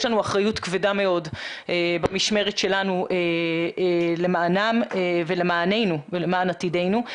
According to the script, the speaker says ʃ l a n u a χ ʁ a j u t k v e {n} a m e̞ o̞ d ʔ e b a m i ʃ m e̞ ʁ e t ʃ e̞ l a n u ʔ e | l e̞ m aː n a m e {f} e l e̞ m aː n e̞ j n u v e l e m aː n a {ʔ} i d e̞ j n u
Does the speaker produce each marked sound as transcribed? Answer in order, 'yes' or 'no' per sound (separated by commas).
no, no, no